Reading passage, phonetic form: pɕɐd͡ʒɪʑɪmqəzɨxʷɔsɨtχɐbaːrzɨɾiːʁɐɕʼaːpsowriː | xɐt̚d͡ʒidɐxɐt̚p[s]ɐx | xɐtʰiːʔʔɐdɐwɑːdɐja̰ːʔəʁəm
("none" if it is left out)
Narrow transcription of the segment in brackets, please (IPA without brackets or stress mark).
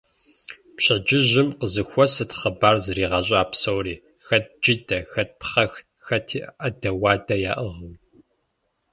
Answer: χ